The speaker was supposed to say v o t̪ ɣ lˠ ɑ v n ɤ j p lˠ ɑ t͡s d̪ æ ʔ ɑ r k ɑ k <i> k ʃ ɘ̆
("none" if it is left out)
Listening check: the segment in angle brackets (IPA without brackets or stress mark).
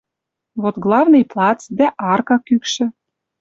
y